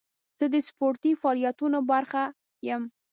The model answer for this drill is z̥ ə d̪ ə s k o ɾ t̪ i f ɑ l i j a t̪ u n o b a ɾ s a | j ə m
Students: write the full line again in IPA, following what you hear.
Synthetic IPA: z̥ ə d̪ ə s p o ɾ t̪ i f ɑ l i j a t̪ u n o b a ɾ x a | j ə m